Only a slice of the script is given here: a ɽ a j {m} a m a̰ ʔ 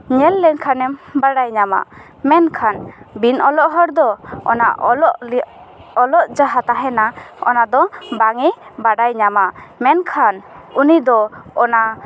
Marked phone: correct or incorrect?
incorrect